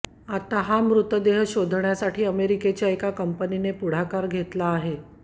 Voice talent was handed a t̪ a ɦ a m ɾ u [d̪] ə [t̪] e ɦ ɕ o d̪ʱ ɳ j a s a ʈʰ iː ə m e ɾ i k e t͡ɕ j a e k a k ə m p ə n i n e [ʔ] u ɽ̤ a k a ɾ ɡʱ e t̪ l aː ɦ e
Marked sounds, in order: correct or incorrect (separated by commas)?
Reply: incorrect, incorrect, incorrect